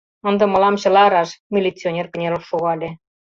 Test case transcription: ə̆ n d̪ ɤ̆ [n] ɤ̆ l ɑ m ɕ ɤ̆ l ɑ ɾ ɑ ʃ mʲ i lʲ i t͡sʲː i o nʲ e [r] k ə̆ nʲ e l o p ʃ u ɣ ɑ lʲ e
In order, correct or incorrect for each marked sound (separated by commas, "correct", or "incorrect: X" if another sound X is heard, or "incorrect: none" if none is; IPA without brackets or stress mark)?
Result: incorrect: m, correct